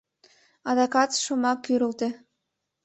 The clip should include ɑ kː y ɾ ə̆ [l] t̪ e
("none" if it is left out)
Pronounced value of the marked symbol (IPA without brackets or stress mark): l